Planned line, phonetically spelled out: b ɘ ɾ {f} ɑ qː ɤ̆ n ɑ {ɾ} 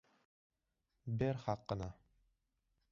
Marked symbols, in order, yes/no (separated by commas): no, no